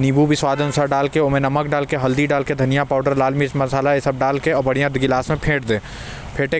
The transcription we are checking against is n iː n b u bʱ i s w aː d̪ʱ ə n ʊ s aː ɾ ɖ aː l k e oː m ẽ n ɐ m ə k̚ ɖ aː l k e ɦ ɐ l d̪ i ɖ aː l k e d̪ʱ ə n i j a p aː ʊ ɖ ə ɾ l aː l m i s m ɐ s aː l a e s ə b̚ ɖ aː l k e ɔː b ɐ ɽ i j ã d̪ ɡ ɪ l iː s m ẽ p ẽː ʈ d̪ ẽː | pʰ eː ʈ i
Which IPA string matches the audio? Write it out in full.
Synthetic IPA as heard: n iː b u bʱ i s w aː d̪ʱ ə n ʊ s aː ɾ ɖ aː l k e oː m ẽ n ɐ m ə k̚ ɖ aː l k e ɦ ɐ l d̪ i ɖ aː l k e d̪ʱ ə n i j a p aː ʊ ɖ ə ɾ l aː l m i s m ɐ s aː l a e s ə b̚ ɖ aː l k e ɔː b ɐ ɽ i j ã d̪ ɡ ɪ l aː s m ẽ pʰ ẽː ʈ d̪ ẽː | pʰ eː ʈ e